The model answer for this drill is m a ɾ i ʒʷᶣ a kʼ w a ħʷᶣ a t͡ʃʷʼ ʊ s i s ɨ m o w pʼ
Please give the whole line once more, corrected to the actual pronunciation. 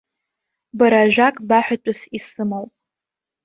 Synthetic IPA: b a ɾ a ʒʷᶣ a kʼ b a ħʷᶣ a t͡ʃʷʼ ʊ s i s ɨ m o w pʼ